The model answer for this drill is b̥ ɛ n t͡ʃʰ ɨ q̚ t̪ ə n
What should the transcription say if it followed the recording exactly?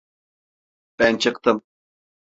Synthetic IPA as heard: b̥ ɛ n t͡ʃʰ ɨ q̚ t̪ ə m